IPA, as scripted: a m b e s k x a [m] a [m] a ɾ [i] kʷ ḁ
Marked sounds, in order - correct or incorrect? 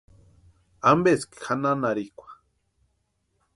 incorrect: n, incorrect: n, correct

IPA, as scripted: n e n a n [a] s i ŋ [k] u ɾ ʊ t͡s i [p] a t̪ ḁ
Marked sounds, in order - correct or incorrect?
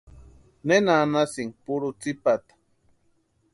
correct, incorrect: p, correct

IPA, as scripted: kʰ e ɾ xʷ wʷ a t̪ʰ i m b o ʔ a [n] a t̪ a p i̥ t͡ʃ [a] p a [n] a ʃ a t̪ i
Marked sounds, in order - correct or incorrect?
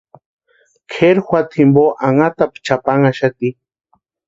incorrect: ŋ, correct, incorrect: ŋ

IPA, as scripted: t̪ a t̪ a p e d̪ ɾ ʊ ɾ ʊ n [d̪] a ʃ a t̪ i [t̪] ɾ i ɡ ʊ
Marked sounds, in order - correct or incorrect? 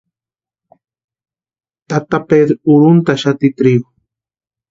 incorrect: t̪, correct

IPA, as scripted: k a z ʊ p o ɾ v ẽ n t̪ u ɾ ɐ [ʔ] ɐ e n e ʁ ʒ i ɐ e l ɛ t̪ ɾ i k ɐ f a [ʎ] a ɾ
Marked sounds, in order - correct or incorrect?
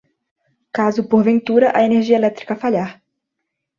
correct, correct

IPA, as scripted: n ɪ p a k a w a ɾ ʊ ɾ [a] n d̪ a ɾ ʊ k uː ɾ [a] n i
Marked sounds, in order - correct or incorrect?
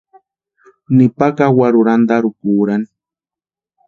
correct, correct

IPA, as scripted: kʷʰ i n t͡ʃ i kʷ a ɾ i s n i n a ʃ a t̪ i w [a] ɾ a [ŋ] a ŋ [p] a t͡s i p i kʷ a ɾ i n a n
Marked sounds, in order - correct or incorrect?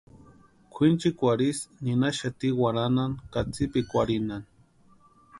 correct, incorrect: n, incorrect: k

